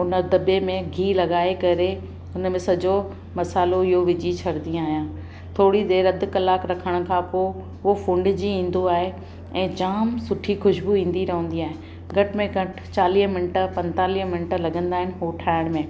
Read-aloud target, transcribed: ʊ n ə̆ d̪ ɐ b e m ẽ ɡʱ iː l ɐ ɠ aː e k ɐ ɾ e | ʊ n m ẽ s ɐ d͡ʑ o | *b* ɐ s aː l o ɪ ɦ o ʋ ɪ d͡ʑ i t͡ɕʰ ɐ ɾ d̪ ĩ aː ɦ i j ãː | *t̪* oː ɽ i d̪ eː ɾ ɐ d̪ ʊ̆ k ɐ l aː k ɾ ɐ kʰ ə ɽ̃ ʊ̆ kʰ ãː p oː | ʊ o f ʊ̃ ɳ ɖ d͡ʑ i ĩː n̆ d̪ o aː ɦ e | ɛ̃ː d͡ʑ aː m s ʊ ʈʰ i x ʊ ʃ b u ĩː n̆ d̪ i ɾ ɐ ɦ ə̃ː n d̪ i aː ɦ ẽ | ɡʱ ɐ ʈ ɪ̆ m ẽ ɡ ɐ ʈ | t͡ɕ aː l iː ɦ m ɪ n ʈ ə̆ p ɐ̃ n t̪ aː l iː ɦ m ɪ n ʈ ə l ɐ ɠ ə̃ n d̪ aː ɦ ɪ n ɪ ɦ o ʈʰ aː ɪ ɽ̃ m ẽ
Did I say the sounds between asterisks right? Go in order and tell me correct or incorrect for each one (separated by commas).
incorrect, incorrect